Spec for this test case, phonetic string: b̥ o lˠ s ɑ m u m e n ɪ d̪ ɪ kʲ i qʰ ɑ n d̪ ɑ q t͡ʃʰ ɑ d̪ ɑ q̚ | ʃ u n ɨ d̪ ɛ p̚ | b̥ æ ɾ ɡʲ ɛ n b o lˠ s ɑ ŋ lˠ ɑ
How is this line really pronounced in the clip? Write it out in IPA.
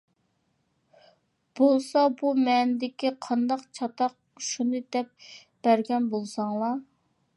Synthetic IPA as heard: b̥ o lˠ s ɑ b u m ɛ n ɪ d̪ ɪ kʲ i qʰ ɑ n d̪ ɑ q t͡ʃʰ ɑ t̪ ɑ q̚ | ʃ u n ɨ d̪ ɛ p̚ | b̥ æ ɾ ɡʲ ɛ n b o lˠ s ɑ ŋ lˠ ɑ